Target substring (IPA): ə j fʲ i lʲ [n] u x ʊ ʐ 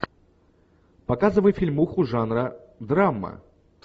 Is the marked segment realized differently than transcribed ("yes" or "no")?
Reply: yes